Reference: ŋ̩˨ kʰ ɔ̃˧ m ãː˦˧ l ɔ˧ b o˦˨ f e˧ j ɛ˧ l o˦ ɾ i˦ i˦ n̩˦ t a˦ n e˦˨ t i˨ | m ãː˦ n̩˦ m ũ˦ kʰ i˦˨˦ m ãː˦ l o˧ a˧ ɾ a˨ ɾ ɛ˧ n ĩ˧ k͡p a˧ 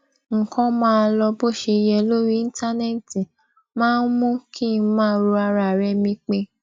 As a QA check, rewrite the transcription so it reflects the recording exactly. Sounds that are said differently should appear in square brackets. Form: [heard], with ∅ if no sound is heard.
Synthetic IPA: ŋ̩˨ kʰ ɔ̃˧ m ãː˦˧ l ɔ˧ b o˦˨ [ʃ] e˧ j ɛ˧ l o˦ ɾ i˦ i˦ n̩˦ t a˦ n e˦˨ t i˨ | m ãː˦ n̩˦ m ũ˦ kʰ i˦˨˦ m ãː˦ [ɾ] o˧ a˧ ɾ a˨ ɾ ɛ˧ [m] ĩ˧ k͡p [e˧]